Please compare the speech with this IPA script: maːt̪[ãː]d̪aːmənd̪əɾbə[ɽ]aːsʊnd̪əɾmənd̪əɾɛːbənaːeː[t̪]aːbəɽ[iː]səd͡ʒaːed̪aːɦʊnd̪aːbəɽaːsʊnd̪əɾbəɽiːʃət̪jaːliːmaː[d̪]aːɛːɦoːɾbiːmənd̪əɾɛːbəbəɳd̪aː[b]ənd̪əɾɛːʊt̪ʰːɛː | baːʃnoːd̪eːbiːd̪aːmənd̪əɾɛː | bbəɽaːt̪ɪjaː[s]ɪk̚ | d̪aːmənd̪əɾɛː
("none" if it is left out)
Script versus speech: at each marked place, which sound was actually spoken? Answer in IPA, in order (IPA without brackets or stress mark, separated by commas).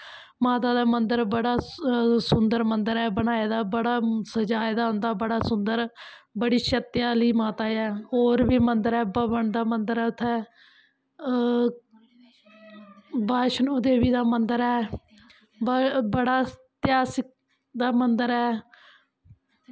aː, ɽ, d̪, aː, t̪, m, s